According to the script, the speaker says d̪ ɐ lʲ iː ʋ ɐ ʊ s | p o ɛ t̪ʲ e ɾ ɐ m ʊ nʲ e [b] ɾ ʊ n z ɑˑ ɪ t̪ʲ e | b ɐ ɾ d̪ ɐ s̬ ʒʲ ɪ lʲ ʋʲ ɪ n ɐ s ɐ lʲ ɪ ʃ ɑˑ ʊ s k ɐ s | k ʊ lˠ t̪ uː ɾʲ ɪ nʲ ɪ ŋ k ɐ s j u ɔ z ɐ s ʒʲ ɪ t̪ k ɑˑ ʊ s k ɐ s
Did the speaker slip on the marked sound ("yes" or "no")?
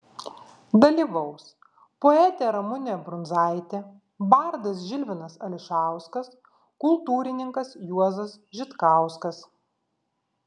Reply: no